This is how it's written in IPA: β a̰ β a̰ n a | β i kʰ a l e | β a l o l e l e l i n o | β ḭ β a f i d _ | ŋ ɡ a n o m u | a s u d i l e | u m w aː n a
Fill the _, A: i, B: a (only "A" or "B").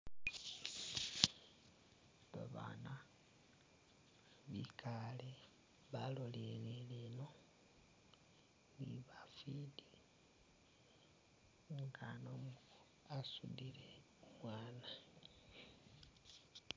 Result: A